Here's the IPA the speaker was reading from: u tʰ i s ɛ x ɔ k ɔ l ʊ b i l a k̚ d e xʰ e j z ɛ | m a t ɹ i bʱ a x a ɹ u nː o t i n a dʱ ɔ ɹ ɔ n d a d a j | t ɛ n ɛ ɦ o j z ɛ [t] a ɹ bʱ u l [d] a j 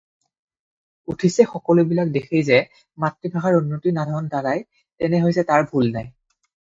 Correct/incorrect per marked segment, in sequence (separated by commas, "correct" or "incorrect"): correct, incorrect